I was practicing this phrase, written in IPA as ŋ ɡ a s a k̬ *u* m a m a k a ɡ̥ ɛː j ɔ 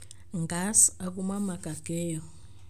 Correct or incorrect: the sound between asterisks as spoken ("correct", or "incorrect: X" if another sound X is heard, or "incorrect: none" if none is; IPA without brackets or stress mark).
correct